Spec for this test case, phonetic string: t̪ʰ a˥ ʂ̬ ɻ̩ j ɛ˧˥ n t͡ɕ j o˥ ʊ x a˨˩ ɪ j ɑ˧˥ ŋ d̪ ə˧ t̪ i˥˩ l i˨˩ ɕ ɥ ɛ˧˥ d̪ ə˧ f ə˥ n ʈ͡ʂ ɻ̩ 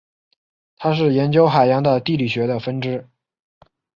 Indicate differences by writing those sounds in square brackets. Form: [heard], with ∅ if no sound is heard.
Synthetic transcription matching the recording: t̪ʰ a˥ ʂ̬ ɻ̩ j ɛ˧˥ n t͡ɕ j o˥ ʊ x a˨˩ ɪ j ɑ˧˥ ŋ d̪ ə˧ t̪ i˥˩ l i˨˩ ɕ ɥ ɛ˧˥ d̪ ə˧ f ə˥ n ʈ͡ʂ ɻ̩